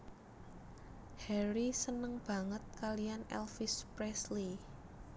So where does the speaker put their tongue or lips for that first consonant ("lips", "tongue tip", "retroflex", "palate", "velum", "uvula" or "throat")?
throat